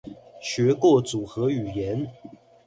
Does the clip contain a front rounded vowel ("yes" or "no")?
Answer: yes